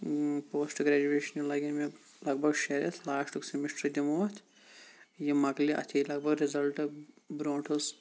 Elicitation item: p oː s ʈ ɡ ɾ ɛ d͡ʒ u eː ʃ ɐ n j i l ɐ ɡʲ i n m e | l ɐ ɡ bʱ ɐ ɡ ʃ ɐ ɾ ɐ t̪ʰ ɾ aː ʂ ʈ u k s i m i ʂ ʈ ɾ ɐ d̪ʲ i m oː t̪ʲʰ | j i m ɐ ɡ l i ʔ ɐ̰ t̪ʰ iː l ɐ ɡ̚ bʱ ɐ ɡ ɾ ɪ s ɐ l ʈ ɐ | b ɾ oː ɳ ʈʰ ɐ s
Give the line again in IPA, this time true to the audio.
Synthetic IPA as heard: p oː s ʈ ɡ ɾ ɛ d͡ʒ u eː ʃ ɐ n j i l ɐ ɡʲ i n m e | l ɐ ɡ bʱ ɐ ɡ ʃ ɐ ɾ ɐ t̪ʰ l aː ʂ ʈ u k s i m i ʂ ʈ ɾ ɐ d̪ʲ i m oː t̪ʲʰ | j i m ɐ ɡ l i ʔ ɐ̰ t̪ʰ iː l ɐ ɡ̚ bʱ ɐ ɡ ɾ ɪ z ɐ l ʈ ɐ | b ɾ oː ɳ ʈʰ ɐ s